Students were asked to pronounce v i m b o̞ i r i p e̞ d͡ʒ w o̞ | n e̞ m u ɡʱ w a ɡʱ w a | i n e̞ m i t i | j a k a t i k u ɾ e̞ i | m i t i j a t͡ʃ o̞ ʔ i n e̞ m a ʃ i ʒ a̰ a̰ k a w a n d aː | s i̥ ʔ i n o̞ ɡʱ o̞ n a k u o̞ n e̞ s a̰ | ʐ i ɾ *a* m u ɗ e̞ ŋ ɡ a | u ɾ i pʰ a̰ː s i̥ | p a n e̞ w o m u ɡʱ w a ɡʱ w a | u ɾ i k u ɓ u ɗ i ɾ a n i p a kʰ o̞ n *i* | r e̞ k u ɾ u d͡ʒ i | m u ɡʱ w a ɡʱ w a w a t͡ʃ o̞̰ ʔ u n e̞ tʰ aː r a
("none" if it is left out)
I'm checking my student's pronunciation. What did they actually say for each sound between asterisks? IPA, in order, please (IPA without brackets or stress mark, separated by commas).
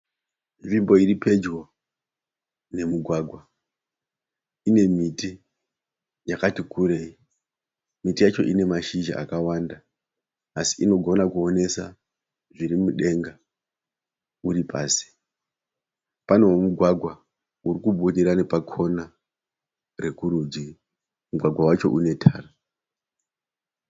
i, a